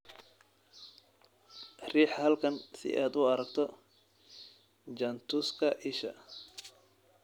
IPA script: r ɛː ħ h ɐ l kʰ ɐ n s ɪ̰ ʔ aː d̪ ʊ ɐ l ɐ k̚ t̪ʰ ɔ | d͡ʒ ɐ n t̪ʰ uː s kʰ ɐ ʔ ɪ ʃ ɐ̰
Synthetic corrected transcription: r iː ħ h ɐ l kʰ ɐ n s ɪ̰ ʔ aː d̪ ʊ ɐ ɾ ɐ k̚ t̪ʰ ɔ | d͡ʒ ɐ n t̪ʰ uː s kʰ ɐ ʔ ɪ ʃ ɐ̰